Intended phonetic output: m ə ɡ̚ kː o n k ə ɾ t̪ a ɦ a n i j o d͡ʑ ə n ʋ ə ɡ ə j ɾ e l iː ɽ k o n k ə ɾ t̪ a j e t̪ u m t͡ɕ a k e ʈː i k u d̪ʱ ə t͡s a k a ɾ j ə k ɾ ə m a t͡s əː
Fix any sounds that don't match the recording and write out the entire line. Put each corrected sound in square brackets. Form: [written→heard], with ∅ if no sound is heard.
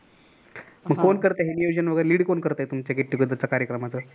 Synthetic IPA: m ə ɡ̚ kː o n k ə ɾ t̪ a ɦ [a→e] n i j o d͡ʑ ə n ʋ ə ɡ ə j ɾ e l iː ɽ k o n k ə ɾ t̪ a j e t̪ u m t͡ɕ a k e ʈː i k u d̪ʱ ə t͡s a k a ɾ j ə k ɾ ə m a t͡s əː